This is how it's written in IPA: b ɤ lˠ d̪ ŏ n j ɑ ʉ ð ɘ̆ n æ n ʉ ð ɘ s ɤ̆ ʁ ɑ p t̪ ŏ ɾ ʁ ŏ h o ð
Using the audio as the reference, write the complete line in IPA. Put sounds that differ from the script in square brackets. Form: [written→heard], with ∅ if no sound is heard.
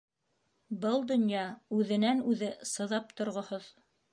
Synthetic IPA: b ɤ lˠ d̪ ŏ n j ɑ ʉ ð ɘ̆ n æ n ʉ ð ɘ s ɤ̆ [ʁ→ð] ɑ p t̪ ŏ ɾ ʁ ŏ h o ð